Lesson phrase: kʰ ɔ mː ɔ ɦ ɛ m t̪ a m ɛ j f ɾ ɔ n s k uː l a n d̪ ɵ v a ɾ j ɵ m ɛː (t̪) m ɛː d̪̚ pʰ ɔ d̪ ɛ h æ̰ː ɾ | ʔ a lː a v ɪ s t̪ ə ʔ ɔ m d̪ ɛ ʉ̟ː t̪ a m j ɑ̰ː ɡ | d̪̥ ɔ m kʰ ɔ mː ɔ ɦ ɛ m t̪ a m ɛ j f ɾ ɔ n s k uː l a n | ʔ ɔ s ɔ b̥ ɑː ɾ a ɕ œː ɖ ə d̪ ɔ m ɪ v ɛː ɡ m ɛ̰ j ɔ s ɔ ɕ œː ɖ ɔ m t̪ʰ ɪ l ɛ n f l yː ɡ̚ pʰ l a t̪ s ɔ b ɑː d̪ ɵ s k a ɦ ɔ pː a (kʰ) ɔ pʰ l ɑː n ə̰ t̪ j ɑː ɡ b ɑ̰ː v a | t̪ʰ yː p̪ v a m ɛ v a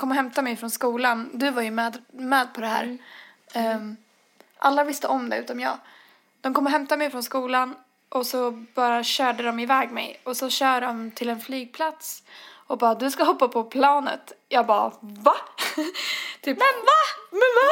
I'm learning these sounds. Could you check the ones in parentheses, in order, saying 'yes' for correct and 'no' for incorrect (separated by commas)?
no, no